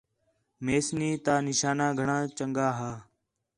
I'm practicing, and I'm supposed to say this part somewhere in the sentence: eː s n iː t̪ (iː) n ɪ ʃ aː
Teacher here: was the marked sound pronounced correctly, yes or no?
no